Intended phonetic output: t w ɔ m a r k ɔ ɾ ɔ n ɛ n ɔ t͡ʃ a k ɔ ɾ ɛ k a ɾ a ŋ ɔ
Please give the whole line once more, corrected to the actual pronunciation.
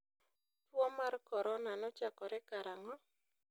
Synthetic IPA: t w ɔ m a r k ɔ ɾ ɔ n a n ɔ t͡ʃ a k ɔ ɾ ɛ k a ɾ a ŋ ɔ